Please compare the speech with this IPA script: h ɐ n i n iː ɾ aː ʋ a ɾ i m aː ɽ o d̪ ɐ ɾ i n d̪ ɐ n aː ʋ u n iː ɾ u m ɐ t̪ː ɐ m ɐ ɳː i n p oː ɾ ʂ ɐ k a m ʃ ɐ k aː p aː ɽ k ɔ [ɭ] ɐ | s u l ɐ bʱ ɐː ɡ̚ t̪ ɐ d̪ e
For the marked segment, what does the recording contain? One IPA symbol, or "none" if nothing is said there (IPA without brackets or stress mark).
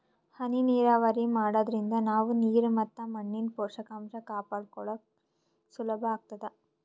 ɭ